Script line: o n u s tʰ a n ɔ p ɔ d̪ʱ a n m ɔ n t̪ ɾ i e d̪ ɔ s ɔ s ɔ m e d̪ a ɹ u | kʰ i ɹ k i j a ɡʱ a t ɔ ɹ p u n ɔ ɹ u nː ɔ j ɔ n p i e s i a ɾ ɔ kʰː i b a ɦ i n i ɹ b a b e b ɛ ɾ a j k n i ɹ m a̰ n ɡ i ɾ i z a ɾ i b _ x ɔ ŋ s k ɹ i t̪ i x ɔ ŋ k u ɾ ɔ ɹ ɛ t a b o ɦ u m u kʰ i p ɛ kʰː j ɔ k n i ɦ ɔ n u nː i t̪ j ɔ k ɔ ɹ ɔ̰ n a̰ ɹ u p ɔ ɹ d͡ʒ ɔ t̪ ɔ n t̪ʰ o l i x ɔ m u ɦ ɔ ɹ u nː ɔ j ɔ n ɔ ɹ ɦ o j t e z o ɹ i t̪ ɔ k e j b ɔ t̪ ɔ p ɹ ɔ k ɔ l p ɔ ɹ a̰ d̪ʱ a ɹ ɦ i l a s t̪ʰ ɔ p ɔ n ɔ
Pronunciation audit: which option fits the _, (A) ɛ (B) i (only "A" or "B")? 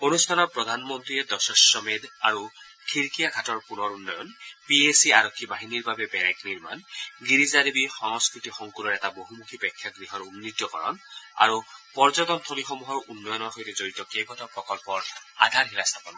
B